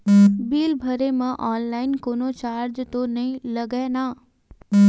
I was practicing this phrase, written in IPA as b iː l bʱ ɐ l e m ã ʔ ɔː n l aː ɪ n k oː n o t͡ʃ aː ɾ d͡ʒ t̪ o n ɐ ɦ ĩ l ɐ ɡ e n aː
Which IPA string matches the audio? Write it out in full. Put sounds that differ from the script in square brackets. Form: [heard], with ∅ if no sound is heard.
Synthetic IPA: b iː l bʱ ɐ [ɾ] e m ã ʔ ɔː n l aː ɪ n k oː n o t͡ʃ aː ɾ d͡ʒ t̪ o n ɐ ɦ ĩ l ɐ ɡ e n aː